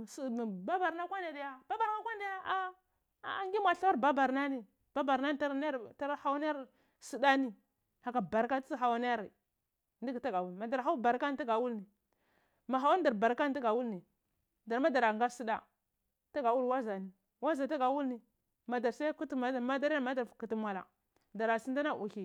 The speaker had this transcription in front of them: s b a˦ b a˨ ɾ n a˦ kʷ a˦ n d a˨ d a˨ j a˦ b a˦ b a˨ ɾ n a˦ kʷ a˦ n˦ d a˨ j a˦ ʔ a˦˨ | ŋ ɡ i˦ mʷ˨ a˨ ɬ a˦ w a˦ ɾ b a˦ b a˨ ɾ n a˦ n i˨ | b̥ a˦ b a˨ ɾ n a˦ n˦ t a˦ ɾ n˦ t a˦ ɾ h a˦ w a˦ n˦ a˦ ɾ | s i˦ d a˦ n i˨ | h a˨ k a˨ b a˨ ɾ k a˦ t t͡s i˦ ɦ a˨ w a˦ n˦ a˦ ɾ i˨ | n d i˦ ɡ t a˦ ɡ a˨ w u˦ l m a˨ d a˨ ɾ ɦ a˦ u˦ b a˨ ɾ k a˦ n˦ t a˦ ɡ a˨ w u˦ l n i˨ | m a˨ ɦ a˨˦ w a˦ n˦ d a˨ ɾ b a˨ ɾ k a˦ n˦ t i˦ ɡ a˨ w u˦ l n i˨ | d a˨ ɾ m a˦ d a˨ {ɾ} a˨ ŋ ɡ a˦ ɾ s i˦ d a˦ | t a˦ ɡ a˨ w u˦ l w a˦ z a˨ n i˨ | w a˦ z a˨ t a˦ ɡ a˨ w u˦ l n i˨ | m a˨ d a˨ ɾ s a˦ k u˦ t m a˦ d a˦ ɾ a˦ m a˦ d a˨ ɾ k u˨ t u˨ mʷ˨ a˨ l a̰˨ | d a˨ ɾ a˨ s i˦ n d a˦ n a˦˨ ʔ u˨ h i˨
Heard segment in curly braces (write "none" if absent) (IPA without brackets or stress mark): ɾ